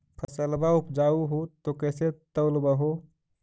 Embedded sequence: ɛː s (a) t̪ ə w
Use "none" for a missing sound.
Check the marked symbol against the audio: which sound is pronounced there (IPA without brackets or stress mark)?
e